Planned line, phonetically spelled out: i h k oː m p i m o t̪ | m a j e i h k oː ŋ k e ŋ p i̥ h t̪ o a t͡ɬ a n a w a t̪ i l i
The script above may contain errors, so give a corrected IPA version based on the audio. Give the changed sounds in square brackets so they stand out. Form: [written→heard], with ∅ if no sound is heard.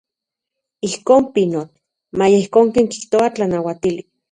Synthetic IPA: i h k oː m p i [m→n] o t̪ | m a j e i h k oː ŋ k e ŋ [p→k] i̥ h t̪ o a t͡ɬ a n a w a t̪ i l i